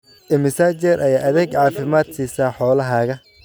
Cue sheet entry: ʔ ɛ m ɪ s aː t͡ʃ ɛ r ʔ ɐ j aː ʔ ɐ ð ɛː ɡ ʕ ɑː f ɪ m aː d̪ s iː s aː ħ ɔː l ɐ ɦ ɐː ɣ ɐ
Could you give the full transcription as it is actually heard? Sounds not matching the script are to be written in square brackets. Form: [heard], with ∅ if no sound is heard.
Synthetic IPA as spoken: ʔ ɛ m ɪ s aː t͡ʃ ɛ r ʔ ɐ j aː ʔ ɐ ð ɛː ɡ ʕ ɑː f ɪ m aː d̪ s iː s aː ħ ɔː l ɐ ɦ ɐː ɣ ɐ